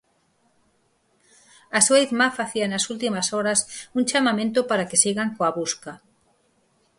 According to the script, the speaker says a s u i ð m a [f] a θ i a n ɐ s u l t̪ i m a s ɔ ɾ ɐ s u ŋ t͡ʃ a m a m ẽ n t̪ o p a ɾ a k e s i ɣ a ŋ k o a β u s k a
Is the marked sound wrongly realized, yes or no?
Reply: no